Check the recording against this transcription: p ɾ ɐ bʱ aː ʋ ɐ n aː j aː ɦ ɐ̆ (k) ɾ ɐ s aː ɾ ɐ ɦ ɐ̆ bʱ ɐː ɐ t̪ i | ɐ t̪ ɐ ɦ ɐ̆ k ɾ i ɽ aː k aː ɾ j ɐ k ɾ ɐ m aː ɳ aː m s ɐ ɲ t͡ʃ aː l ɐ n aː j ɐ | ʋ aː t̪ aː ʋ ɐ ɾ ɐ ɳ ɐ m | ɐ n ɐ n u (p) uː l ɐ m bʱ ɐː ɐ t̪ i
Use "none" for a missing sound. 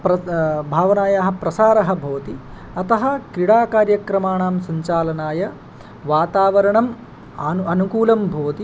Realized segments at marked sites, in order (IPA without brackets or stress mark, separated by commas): p, k